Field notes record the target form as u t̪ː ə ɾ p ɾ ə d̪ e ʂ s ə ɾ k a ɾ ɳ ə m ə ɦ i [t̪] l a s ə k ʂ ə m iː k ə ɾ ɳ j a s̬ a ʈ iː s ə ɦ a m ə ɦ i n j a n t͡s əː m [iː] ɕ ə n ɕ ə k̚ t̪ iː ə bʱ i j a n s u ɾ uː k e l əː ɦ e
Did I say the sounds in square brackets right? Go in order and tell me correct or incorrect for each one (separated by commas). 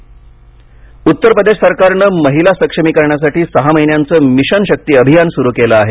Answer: incorrect, incorrect